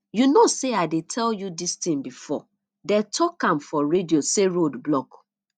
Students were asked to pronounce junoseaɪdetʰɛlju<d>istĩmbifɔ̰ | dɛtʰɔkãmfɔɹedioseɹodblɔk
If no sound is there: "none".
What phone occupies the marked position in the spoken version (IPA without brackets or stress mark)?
d